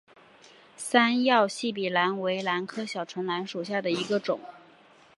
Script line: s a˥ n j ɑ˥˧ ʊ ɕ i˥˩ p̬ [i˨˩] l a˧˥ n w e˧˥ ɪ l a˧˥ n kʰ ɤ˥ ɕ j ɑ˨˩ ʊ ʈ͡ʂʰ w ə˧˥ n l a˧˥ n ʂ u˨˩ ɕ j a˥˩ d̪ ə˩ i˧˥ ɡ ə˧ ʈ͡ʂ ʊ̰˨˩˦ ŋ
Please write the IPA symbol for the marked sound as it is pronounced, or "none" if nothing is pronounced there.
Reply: i˨˩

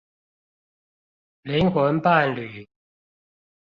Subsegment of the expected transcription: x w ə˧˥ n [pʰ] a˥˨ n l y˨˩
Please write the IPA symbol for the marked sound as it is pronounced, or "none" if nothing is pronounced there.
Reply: p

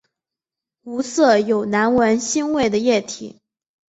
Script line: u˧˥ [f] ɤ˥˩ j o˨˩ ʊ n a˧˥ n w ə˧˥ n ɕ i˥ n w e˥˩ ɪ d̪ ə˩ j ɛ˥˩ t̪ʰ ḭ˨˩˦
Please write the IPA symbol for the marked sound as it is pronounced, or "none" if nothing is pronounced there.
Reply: s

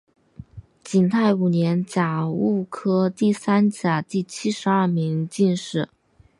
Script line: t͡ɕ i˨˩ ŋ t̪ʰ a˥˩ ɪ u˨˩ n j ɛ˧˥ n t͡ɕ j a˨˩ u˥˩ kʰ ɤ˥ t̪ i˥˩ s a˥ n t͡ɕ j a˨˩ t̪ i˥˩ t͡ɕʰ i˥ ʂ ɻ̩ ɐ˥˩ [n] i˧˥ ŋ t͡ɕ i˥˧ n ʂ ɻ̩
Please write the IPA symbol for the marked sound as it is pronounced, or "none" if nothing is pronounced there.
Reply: m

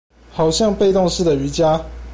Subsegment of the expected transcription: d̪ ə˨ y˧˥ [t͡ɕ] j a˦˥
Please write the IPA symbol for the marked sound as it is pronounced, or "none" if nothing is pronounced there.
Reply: t͡ɕ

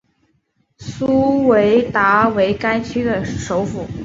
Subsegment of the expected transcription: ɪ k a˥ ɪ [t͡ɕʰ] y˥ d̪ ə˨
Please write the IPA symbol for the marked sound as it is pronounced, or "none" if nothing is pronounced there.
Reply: t͡ɕʰ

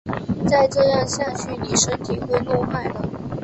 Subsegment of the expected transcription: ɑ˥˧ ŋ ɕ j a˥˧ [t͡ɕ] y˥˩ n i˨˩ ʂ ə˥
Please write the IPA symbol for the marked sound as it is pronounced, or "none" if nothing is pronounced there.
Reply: t͡ɕʰ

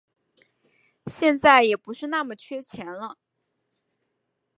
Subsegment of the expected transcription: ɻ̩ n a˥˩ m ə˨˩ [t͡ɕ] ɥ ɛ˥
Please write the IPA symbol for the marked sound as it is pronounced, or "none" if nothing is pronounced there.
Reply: t͡ɕʰ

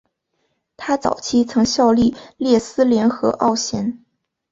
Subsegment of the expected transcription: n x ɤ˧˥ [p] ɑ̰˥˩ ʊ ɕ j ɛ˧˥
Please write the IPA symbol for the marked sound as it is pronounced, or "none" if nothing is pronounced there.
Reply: ʔ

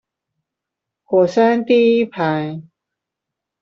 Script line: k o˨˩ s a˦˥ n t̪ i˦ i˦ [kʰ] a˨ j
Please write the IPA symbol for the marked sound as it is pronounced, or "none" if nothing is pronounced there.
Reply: pʰ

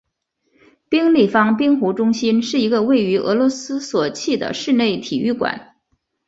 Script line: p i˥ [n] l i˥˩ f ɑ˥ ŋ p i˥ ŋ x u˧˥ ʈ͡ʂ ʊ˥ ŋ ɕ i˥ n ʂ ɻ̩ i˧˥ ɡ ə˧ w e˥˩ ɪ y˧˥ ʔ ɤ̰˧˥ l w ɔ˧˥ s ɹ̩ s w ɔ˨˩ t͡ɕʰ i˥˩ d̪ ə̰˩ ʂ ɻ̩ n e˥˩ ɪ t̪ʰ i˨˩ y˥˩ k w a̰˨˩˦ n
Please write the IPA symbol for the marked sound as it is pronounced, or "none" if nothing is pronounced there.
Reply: ŋ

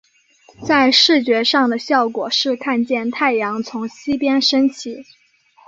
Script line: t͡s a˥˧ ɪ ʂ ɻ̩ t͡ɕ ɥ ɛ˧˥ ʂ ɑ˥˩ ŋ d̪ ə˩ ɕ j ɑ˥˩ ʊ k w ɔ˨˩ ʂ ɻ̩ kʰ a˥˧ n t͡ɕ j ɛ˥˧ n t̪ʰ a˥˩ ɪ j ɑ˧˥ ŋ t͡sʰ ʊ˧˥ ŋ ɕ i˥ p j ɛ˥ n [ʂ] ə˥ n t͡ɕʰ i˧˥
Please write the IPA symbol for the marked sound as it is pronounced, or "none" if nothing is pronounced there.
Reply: ʂ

